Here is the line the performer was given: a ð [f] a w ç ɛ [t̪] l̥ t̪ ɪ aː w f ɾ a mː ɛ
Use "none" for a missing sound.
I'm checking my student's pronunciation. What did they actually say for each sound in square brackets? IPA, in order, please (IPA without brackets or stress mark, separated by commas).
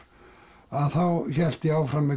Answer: θ, none